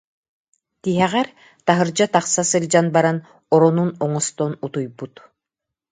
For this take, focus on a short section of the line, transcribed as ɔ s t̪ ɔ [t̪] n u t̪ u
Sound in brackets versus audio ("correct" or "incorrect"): incorrect